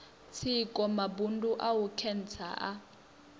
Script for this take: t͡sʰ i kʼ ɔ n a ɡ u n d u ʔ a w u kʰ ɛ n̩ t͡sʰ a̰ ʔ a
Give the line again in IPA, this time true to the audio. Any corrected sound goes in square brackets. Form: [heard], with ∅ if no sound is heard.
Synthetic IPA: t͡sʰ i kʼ ɔ [m] a [b] u n d u ʔ a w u kʰ ɛ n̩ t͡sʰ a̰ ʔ a